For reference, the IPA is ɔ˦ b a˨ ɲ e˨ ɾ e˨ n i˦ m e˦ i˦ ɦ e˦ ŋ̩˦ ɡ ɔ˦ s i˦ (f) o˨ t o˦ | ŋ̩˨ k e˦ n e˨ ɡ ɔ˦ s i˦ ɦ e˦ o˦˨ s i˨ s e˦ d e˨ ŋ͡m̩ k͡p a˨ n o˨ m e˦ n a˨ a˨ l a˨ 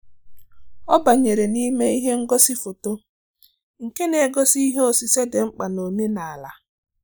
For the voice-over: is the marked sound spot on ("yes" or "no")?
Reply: yes